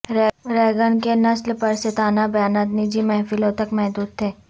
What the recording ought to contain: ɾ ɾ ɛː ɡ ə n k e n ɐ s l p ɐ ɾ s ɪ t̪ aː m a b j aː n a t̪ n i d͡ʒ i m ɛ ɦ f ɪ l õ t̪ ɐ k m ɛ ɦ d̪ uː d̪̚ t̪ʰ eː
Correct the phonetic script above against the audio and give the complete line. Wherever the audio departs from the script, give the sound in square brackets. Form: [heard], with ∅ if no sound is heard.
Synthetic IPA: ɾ ɾ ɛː ɡ ə n k e n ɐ s l p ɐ ɾ s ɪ t̪ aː [n] a b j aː n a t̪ n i d͡ʒ i m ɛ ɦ f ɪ l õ t̪ ɐ k m ɛ ɦ d̪ uː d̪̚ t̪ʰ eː